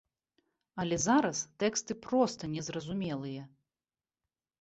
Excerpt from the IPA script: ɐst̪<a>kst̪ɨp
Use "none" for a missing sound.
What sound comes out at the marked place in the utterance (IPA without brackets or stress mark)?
ɛ